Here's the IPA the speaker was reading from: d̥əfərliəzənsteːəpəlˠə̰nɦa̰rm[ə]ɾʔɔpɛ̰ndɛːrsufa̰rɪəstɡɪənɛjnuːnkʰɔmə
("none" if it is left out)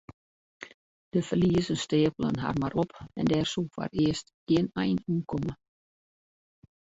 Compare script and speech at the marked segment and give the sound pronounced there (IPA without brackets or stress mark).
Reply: a